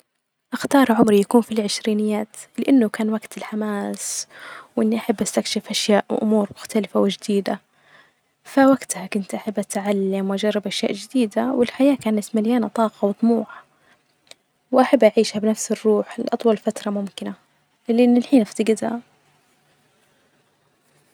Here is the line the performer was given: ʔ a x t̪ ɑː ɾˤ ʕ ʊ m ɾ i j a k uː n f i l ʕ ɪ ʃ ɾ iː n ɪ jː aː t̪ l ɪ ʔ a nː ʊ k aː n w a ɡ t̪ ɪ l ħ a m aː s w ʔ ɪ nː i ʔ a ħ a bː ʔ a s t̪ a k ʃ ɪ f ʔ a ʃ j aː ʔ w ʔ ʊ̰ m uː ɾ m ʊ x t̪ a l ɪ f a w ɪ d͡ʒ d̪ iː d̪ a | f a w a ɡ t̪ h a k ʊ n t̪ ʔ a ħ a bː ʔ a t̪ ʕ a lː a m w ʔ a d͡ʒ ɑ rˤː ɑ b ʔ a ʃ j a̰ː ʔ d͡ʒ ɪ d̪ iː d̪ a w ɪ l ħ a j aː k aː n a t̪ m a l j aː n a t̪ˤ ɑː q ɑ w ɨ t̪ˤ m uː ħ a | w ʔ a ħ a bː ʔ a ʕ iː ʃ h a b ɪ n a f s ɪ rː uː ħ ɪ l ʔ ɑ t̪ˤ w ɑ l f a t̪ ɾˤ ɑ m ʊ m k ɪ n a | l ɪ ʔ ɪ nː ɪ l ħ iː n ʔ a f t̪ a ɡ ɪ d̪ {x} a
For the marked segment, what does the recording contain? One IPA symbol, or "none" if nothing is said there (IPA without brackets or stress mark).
h